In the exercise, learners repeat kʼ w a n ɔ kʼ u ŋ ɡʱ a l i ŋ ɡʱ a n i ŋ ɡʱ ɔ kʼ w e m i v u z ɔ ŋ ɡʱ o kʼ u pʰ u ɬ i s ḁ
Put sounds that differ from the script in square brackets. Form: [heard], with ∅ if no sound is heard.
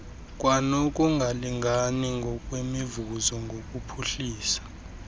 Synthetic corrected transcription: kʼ w a n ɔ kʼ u ŋ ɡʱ a l i ŋ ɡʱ a n i ŋ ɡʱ ɔ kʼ w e m i v u z ɔ ŋ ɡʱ o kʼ u pʰ u ɬ [iː] s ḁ